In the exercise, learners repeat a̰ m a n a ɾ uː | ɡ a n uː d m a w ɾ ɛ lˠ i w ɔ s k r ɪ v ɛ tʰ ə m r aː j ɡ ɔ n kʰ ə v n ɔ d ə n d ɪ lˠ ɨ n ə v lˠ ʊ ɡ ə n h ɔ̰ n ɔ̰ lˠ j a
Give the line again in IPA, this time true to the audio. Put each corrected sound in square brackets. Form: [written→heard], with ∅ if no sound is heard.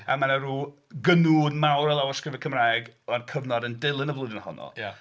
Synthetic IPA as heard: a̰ m a n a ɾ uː | ɡ [a→ə] n uː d m a w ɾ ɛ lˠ [i→a] w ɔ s k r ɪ v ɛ [tʰ→kʰ] ə m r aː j ɡ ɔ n kʰ ə v n ɔ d ə n d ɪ lˠ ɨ n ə v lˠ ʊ [ɡ→d] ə n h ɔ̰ n ɔ̰ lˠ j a